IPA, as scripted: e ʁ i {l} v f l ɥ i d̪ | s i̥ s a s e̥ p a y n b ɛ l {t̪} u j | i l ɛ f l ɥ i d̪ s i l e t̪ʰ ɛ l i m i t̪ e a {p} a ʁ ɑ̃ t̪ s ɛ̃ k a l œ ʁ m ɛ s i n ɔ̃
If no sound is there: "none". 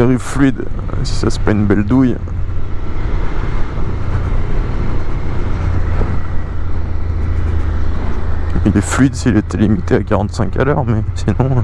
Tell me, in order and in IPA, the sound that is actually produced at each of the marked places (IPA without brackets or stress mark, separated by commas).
none, d̪, k